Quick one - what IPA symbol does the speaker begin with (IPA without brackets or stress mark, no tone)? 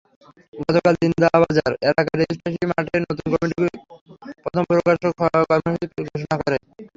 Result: ɡ